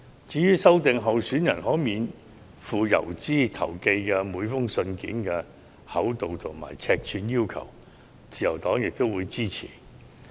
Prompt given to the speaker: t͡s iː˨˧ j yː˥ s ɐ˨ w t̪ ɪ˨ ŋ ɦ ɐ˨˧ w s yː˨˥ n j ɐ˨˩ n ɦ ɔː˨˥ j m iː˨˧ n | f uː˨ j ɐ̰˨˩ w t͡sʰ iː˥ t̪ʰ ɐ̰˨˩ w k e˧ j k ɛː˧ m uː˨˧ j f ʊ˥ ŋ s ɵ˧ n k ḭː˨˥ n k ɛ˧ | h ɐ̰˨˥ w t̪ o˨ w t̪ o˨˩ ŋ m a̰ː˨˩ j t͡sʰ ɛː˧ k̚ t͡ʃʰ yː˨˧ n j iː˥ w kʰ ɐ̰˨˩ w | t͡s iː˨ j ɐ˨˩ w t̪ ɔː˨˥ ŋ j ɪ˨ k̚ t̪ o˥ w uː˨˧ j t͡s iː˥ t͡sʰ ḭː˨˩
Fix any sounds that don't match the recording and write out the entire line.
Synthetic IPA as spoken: t͡s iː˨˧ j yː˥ s ɐ˥ w t̪ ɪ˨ ŋ ɦ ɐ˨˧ w s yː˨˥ n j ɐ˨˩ n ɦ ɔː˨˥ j m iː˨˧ n | f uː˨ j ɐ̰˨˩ w t͡s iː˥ t̪ʰ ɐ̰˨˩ w k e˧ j k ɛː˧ m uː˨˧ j f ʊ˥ ŋ s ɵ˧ n k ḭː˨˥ n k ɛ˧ | h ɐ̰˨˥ w t̪ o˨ w t̪ʰ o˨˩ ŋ m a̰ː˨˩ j t͡sʰ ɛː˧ k̚ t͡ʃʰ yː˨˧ n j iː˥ w kʰ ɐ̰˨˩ w | t͡s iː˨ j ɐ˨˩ w t̪ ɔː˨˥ ŋ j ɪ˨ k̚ t̪ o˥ w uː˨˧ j t͡s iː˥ t͡sʰ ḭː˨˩